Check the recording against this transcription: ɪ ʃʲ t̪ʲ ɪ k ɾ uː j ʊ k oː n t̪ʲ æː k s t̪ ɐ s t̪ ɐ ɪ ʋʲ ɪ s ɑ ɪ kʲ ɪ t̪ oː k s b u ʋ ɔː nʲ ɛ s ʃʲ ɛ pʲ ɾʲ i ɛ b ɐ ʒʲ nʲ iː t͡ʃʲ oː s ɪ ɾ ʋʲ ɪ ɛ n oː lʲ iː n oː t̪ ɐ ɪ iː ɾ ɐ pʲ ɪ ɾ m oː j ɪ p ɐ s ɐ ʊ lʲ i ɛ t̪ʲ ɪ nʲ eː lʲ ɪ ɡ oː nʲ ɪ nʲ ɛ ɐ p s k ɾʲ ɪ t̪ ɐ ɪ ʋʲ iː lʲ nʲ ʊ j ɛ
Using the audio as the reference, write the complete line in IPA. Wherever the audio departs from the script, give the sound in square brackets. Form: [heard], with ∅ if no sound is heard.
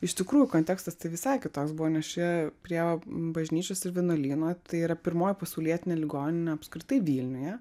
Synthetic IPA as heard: ɪ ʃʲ t̪ʲ ɪ k ɾ uː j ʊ k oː n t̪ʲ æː k s t̪ ɐ s t̪ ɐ ɪ ʋʲ ɪ s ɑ ɪ kʲ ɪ t̪ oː k s b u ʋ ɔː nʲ ɛ s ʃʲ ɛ pʲ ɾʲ i ɛ b ɐ ʒʲ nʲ iː t͡ʃʲ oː s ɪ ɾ ʋʲ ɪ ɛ n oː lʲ iː n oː t̪ ɐ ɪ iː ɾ ɐ pʲ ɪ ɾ m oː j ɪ p ɐ s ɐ ʊ lʲ i ɛ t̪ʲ ɪ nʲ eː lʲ ɪ ɡ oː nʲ ɪ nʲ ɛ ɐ p s k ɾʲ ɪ t̪ ɐ ɪ ʋʲ iː lʲ nʲ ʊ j ɛ

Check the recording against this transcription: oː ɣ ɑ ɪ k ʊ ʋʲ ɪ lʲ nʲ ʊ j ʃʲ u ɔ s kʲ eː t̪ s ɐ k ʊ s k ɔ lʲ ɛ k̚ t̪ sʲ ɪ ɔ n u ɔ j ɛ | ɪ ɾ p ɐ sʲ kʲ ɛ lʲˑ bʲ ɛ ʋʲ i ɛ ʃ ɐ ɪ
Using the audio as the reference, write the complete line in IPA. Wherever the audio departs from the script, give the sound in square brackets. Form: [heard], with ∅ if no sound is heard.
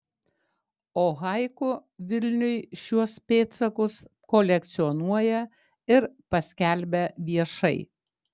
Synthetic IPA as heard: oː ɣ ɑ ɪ k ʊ ʋʲ ɪ lʲ nʲ ʊ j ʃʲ u ɔ s [pʲ] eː t̪ s ɐ k ʊ s k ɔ lʲ ɛ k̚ t̪ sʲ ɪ ɔ n u ɔ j ɛ | ɪ ɾ p ɐ sʲ kʲ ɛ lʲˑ bʲ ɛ ʋʲ i ɛ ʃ ɐ ɪ

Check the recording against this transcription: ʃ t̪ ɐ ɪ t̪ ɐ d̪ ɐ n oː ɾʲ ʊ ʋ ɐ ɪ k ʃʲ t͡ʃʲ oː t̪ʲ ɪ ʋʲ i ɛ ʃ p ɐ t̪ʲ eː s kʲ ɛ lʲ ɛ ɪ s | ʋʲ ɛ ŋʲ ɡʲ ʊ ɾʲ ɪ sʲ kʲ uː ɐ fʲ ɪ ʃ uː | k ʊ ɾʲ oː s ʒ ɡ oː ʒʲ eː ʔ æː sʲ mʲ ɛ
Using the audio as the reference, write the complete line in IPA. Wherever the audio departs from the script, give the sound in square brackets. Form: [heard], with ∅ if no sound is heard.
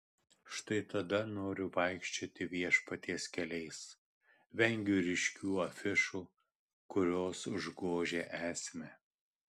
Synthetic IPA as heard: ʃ t̪ ɐ ɪ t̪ ɐ d̪ ɐ n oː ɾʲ ʊ ʋ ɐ ɪ k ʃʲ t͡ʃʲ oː t̪ʲ ɪ ʋʲ i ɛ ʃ p ɐ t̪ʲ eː s kʲ ɛ lʲ ɛ ɪ s | ʋʲ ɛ ŋʲ ɡʲ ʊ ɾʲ ɪ [ʃʲ] kʲ uː ɐ fʲ ɪ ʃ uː | k ʊ ɾʲ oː s ʒ ɡ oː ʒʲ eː ʔ æː sʲ mʲ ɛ

